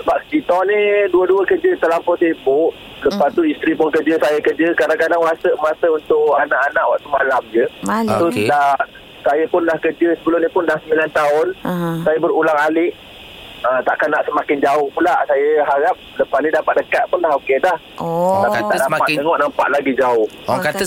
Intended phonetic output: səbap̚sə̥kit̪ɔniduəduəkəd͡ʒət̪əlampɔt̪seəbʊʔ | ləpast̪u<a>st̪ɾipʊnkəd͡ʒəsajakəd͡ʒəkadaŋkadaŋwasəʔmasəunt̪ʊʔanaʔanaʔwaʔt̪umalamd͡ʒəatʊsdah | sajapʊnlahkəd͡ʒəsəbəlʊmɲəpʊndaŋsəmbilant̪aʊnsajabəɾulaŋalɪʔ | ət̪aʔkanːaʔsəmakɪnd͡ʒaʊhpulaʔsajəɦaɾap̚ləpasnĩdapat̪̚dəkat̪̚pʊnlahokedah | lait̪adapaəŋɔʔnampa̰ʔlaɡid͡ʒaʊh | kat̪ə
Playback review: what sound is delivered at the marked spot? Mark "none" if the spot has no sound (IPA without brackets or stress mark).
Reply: i